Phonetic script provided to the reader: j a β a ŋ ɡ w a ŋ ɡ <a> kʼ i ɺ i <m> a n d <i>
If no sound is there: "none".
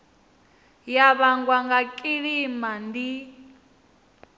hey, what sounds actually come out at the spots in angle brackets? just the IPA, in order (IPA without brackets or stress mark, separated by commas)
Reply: a, m, i